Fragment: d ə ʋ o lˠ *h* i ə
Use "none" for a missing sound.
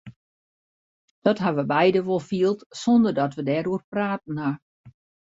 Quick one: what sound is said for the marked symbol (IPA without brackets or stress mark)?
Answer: f